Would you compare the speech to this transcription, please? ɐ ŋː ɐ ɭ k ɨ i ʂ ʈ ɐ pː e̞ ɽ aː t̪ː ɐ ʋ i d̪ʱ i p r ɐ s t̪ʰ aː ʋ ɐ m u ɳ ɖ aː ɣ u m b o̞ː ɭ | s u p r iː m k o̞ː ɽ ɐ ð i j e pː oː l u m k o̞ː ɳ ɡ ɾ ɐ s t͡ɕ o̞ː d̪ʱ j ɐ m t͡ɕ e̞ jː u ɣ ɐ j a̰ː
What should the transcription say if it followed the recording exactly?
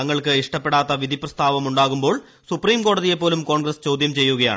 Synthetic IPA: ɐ ŋː ɐ ɭ k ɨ i ʂ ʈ ɐ pː e̞ ɽ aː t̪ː ɐ ʋ i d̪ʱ i p r ɐ s t̪ʰ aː ʋ ɐ m u ɳ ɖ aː ɣ u m b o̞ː ɭ | s u p r iː m k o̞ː ɽ ɐ ð i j e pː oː l u m k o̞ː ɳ ɡ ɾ ɐ s t͡ɕ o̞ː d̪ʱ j ɐ m t͡ɕ e̞ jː u ɣ ɐ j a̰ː